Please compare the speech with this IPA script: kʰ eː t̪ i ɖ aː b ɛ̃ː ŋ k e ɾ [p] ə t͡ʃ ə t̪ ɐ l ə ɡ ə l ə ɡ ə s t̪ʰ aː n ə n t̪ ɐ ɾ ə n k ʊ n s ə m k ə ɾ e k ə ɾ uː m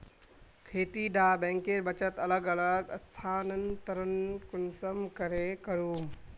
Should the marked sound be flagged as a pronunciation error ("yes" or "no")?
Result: yes